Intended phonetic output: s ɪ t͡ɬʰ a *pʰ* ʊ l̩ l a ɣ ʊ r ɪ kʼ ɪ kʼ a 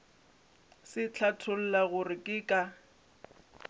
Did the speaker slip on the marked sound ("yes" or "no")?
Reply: yes